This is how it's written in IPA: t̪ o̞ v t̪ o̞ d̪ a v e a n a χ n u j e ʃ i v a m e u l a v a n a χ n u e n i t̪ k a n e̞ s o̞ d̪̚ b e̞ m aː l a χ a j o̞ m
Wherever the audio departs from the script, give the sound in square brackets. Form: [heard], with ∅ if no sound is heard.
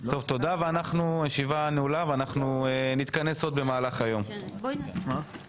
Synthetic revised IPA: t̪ o̞ v t̪ o̞ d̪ a v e a n a χ n u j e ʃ i v a [n] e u l a v a n a χ n u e n i t̪ k a n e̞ s o̞ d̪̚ b e̞ m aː l a χ a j o̞ m